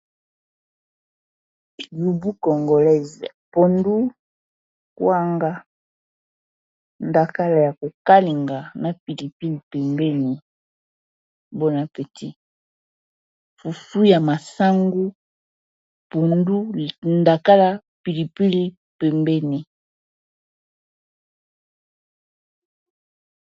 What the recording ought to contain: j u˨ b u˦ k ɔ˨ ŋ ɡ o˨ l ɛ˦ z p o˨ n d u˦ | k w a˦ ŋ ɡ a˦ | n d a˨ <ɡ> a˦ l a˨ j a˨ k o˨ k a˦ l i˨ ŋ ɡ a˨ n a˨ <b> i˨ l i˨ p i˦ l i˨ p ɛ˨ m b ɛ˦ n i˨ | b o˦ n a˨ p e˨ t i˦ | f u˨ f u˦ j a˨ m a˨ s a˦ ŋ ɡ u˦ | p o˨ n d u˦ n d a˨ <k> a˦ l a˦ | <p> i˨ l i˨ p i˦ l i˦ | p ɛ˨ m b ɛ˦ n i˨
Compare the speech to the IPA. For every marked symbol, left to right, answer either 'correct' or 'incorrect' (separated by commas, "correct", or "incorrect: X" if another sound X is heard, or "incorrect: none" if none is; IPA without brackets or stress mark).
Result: incorrect: k, incorrect: p, correct, correct